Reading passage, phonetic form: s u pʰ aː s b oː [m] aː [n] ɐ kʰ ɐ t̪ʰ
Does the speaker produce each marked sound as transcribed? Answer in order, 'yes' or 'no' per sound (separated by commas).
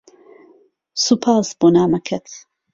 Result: no, no